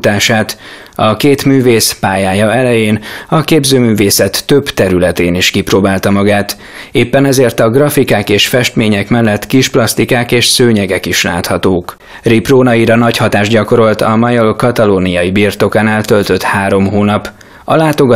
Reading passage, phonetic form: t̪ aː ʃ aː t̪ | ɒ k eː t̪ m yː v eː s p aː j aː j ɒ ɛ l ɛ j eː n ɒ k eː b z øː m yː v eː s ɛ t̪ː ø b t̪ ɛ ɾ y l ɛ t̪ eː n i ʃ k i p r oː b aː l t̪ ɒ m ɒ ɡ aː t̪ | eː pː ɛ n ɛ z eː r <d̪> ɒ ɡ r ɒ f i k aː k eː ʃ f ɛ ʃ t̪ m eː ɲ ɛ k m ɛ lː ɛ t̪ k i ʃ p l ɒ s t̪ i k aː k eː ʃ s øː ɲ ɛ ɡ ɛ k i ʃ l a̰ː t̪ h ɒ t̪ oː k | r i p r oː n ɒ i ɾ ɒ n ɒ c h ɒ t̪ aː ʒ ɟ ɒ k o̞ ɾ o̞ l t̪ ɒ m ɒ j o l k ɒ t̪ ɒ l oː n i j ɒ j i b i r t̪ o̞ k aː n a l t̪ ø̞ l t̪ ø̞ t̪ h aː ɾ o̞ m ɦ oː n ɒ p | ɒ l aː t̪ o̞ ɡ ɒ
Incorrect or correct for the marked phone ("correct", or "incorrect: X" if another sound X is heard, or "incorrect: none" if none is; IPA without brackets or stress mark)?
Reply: incorrect: t̪